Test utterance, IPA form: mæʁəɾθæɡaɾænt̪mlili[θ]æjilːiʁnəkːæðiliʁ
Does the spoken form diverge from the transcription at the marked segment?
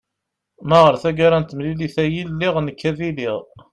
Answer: no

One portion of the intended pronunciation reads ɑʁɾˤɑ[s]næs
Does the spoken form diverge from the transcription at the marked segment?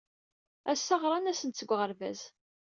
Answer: yes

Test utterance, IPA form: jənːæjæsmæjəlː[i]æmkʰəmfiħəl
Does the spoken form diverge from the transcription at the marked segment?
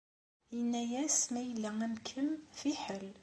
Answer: yes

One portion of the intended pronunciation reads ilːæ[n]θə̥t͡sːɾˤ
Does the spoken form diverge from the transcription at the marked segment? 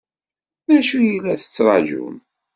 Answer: yes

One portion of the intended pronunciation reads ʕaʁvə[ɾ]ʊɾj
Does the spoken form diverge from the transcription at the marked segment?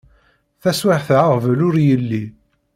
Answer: yes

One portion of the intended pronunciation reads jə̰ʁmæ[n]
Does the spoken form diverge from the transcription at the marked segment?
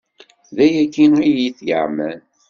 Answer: no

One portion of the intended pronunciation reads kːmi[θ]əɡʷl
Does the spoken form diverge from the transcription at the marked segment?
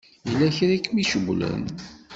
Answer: yes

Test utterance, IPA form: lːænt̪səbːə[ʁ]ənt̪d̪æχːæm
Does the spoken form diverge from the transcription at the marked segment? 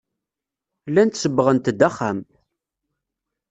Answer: no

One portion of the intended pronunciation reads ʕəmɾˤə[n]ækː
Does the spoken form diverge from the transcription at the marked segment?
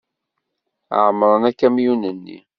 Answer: no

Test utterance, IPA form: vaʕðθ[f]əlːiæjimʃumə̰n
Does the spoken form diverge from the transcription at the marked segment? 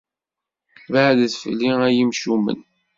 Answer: no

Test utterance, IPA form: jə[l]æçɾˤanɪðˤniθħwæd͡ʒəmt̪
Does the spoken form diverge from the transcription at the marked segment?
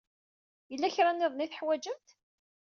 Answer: yes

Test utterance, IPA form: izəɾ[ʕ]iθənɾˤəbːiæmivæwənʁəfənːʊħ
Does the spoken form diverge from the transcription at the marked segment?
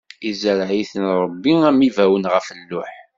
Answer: no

